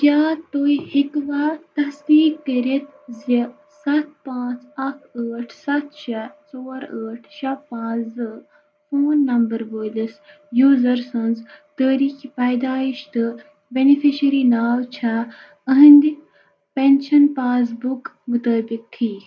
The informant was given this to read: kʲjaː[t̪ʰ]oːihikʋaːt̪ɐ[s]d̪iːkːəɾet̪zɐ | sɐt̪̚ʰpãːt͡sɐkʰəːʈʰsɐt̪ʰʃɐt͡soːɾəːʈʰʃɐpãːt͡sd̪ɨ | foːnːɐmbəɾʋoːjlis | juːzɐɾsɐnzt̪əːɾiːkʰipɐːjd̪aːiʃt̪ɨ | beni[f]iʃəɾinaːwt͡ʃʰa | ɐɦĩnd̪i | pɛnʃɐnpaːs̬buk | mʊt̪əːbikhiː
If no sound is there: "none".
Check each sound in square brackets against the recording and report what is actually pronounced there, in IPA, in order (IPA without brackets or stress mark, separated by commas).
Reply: t̪, s, f